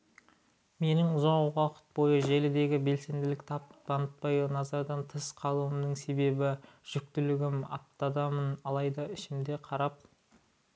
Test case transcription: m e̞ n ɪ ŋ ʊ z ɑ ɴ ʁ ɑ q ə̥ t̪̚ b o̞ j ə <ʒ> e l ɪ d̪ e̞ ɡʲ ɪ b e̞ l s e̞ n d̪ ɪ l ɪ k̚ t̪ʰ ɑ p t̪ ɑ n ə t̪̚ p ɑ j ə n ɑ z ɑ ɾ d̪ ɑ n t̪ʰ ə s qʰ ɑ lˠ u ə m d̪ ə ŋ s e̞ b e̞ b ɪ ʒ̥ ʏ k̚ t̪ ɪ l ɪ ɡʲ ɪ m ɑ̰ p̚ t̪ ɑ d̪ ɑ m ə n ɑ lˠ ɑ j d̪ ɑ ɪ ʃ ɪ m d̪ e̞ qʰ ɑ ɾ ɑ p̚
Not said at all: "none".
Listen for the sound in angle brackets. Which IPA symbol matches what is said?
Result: ʒ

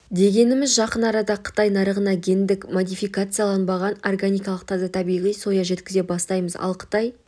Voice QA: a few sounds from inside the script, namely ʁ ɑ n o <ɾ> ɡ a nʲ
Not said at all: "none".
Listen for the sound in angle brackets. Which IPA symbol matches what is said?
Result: r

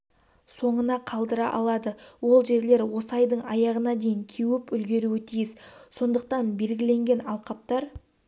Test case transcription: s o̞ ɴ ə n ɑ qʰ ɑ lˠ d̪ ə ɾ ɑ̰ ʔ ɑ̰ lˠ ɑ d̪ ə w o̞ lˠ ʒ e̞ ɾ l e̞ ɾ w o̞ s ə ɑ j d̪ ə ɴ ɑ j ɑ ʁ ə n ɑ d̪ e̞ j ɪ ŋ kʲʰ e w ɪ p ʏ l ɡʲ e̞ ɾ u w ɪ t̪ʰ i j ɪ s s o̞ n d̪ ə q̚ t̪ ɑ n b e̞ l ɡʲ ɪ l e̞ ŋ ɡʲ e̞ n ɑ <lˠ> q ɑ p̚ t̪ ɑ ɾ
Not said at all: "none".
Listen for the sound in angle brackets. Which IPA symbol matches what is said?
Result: lˠ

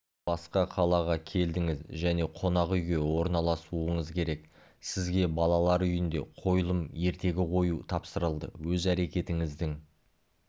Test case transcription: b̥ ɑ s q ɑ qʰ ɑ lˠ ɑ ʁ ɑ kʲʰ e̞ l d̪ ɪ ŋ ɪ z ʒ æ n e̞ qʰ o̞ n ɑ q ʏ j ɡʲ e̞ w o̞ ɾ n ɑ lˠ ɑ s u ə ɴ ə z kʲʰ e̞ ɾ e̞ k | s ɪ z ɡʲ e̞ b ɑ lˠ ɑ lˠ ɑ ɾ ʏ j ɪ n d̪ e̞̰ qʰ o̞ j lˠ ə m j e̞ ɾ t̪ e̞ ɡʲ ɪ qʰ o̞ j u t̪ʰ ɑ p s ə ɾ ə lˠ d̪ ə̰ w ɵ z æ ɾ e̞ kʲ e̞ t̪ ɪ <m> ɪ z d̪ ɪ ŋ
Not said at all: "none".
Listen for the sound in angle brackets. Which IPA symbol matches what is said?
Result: ŋ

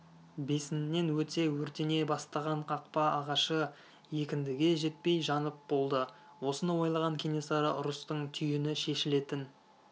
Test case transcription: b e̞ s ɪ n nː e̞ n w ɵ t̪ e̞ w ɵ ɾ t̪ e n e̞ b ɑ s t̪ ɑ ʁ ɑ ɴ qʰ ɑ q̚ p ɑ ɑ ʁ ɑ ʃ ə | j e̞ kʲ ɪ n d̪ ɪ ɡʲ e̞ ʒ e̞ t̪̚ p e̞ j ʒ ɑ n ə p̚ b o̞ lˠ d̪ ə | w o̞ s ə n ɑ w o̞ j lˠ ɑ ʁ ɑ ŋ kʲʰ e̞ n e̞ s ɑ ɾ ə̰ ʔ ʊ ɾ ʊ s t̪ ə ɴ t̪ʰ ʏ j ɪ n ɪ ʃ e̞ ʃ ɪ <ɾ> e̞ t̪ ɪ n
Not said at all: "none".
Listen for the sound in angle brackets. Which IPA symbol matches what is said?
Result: l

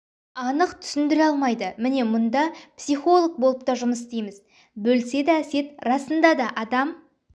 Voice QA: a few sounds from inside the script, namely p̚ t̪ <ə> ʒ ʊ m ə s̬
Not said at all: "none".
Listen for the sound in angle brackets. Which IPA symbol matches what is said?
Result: ɑ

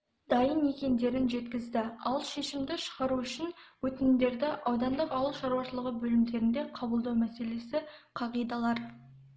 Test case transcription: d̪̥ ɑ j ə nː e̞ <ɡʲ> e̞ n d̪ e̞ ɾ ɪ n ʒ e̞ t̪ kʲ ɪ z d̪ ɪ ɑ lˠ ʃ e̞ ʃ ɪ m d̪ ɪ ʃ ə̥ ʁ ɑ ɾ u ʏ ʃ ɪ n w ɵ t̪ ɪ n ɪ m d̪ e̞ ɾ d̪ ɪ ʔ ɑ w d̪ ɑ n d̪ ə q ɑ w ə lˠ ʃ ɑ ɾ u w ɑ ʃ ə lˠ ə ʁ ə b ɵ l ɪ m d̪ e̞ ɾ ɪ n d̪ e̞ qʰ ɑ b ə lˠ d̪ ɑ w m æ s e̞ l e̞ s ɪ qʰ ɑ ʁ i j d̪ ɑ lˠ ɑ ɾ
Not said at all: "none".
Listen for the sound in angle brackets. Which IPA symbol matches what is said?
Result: kʲ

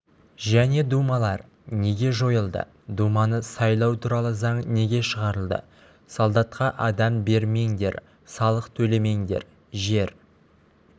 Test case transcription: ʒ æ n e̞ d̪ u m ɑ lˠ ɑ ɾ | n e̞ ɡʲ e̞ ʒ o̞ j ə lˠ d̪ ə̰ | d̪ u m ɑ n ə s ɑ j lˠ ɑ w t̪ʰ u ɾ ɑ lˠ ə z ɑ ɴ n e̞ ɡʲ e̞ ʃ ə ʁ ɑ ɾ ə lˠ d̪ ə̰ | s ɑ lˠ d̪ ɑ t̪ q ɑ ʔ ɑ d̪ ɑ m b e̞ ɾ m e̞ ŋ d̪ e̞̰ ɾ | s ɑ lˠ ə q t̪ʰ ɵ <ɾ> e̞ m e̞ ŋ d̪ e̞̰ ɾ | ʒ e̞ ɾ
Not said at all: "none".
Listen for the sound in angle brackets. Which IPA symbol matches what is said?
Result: l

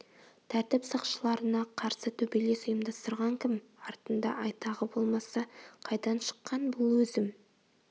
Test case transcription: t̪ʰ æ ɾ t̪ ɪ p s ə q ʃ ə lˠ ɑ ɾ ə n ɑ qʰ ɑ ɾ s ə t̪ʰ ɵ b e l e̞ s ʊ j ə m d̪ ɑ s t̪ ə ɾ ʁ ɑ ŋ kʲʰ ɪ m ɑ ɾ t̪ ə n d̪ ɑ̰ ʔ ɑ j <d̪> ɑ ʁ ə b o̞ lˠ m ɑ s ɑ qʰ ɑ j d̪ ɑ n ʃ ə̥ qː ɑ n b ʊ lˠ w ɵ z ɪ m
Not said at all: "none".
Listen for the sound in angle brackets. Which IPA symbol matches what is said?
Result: t̪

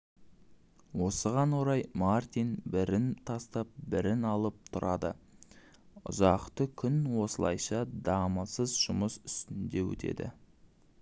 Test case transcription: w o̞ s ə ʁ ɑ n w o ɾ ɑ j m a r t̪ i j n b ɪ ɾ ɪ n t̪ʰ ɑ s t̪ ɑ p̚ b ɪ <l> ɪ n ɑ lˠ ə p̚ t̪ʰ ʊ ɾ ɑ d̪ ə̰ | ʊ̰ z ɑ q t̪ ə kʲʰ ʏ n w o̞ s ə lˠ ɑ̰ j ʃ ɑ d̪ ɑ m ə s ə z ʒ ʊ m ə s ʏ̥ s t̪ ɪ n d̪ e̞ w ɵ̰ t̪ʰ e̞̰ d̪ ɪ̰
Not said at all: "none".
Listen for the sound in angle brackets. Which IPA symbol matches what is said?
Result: ɾ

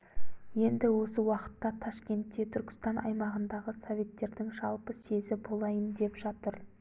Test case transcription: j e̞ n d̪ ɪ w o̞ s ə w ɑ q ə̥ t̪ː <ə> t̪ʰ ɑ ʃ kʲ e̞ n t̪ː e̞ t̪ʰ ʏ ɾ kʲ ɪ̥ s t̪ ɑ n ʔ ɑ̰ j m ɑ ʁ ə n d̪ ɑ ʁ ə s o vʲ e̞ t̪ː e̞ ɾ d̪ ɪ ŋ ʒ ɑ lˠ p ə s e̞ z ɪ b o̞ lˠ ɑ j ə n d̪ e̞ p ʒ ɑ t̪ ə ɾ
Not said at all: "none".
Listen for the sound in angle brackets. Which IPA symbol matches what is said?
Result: ɑ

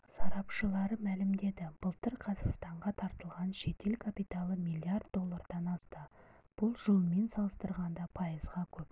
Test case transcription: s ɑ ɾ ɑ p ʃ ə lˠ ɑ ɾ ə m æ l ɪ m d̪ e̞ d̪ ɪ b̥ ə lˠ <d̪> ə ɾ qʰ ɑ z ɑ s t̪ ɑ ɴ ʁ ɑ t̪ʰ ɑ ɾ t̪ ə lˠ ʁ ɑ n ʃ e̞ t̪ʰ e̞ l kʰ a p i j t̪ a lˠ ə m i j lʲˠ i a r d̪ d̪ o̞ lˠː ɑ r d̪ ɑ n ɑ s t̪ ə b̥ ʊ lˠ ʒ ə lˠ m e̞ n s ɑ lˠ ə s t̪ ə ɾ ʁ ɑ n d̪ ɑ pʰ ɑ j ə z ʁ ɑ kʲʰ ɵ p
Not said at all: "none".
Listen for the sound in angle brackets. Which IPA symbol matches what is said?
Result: t̪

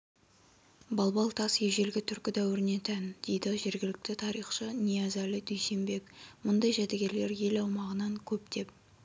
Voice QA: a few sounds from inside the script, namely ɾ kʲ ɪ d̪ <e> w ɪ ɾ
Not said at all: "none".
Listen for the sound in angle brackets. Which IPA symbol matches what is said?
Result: æ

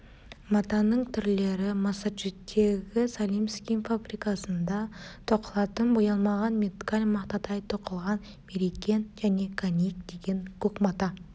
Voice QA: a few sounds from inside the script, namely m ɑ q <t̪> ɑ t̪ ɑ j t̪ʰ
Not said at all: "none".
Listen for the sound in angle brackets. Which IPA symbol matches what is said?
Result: t̪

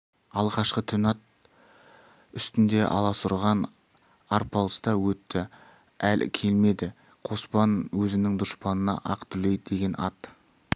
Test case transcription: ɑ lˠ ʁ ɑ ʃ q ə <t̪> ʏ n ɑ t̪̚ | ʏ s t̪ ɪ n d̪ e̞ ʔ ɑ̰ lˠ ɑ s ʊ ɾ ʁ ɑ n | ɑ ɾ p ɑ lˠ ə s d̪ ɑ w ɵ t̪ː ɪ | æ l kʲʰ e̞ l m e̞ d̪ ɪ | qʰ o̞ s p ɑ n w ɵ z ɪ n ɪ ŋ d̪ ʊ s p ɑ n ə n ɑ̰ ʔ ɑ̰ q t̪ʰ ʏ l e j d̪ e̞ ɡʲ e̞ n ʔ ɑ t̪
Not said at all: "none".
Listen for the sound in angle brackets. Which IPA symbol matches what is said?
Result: t̪ʰ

